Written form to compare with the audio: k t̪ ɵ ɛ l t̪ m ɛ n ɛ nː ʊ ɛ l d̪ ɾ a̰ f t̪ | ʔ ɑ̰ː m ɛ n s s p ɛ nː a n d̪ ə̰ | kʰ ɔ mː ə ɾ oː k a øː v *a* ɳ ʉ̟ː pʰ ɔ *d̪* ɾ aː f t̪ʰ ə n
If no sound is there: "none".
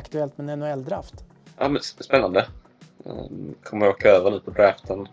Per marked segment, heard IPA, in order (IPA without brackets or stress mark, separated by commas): ə, d̪